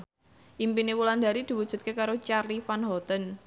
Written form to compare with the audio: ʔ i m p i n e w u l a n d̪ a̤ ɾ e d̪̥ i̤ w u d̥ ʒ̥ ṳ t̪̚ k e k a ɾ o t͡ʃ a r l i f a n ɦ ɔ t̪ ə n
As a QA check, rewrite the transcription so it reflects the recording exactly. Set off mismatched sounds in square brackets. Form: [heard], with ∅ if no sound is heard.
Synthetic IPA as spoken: ʔ i m p i n e w u l a n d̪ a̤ ɾ [i] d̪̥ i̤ w u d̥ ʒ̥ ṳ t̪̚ k e k a ɾ o t͡ʃ a r l i f a n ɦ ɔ t̪ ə n